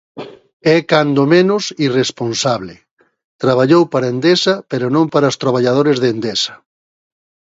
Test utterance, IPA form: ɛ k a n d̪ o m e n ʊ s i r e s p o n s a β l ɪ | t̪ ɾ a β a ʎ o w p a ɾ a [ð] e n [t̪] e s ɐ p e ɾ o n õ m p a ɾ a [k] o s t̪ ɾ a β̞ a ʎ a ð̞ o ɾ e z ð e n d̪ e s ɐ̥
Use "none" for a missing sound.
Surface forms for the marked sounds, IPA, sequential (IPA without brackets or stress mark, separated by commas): none, d̪, none